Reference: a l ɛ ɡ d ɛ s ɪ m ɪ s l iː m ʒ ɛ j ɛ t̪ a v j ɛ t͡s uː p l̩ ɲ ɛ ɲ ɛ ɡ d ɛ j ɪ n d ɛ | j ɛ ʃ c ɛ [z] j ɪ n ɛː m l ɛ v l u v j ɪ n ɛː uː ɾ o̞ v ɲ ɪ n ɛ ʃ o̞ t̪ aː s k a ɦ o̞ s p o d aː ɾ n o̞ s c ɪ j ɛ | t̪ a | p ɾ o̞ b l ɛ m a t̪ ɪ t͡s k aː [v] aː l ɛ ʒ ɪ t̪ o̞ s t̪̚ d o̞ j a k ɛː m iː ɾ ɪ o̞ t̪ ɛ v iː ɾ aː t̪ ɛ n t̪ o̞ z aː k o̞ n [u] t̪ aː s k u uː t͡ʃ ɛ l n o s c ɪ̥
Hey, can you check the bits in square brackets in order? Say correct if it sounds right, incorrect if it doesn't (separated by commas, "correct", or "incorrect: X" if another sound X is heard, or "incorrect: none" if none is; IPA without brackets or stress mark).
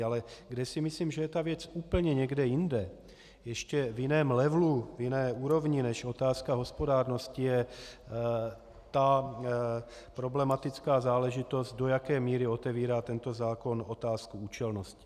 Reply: incorrect: v, incorrect: z, incorrect: o